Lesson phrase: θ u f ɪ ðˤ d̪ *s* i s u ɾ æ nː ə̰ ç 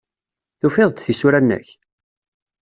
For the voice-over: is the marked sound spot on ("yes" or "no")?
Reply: no